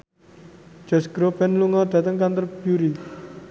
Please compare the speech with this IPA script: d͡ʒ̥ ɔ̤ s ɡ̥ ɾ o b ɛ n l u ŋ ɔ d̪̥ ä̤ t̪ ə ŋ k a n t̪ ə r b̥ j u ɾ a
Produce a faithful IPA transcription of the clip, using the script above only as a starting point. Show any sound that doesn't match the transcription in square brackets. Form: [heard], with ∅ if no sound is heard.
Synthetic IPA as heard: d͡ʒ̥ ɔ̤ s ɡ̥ ɾ o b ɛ n l u ŋ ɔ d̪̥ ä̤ t̪ ə ŋ k a n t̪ ə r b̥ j u ɾ [i]